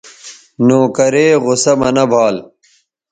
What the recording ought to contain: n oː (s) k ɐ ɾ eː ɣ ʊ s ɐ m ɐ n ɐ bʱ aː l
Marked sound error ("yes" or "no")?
yes